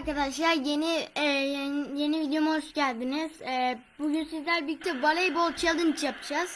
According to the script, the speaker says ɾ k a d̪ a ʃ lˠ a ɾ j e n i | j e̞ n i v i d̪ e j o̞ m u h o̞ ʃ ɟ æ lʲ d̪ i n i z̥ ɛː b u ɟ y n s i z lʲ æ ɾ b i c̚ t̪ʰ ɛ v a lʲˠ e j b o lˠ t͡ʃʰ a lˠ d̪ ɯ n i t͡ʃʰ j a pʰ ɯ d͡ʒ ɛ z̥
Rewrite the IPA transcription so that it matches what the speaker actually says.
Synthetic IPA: ɾ k a d̪ a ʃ lˠ a ɾ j e n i | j e̞ n i v i d̪ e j o̞ m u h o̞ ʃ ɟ æ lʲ d̪ i n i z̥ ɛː b u ɟ y n s i z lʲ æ ɾ b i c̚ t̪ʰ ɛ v a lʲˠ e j b o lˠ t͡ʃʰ a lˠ d̪ ɯ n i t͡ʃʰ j a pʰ ɯ d͡ʒ a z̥